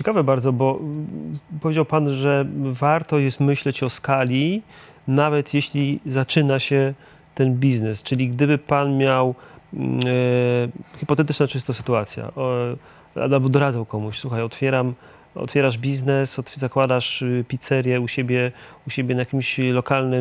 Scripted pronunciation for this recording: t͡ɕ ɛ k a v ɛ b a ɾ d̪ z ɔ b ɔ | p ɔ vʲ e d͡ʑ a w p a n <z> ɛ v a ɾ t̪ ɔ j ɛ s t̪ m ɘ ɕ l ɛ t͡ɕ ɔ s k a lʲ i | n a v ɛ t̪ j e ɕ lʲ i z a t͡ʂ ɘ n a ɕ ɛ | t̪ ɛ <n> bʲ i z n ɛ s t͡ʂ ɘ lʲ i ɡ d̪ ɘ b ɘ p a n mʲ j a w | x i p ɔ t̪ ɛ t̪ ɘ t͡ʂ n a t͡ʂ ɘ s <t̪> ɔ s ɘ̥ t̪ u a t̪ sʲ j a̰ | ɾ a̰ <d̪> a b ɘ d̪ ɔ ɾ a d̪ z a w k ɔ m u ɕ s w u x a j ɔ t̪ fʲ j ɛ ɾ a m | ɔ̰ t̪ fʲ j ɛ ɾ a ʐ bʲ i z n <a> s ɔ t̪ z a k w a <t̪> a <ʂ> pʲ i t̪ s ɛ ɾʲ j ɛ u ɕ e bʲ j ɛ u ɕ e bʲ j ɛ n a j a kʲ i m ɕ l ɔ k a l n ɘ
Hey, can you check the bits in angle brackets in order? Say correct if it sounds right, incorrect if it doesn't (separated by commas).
incorrect, correct, correct, correct, incorrect, incorrect, correct